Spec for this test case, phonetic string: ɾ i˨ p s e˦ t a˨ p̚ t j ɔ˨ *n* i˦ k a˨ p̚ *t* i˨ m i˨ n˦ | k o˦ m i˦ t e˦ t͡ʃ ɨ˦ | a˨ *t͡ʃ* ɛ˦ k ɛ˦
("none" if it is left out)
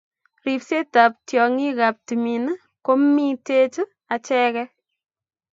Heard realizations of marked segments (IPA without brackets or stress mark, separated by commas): ŋ, t, t͡ʃ